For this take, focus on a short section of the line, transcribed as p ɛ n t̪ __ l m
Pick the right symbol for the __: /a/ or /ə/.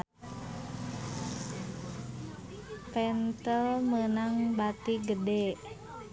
ə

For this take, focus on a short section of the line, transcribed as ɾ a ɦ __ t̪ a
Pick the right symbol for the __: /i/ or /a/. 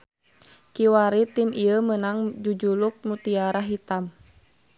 i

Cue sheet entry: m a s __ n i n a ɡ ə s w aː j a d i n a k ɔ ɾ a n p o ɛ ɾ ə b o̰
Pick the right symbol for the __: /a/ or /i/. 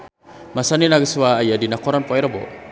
a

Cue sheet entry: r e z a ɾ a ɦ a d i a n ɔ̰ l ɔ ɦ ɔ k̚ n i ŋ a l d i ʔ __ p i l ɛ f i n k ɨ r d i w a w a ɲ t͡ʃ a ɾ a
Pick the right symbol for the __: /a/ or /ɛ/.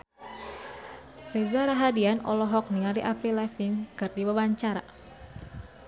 a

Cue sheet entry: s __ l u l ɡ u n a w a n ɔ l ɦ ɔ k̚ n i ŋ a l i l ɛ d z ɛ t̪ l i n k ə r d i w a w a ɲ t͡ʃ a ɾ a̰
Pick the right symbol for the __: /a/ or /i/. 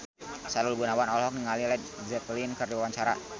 a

